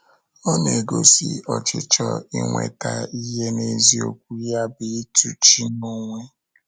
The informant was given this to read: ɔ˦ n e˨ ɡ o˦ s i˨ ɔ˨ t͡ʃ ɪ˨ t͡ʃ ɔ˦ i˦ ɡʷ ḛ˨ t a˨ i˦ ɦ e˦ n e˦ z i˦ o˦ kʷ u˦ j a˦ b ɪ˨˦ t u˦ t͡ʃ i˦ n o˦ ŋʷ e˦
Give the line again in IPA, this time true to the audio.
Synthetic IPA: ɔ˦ n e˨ ɡ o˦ s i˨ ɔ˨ t͡ʃ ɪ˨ t͡ʃ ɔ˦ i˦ ŋʷ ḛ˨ t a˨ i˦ ɦ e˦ n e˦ z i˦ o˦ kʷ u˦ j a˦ b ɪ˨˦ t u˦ t͡ʃ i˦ n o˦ ŋʷ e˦